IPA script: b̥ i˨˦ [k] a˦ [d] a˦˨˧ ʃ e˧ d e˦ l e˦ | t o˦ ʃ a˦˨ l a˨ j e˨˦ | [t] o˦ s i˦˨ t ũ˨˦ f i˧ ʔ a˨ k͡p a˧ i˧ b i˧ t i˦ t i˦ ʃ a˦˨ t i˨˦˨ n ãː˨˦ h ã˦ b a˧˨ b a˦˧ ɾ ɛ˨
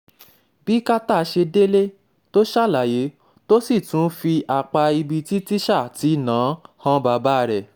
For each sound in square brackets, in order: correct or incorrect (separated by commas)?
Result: correct, incorrect, correct